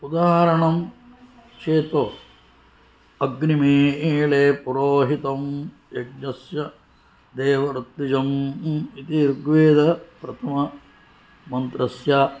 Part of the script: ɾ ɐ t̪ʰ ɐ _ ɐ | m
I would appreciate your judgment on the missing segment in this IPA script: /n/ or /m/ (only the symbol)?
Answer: m